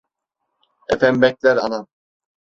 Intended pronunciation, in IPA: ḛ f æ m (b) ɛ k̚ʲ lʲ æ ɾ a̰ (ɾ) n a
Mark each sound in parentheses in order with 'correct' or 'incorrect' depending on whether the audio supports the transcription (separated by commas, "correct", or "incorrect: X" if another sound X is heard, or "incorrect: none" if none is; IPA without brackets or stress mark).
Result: correct, incorrect: none